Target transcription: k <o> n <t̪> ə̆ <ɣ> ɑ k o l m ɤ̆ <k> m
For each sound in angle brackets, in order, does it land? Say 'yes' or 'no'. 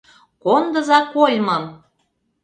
yes, no, no, no

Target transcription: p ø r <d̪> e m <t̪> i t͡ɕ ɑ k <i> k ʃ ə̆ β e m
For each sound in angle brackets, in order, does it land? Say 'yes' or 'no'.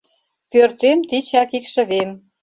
no, yes, yes

